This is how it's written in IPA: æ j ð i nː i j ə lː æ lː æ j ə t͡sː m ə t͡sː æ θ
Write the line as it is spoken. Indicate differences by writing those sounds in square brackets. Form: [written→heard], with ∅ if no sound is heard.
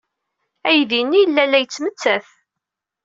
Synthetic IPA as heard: æ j ð i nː i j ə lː æ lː æ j ə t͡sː m ə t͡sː æ θ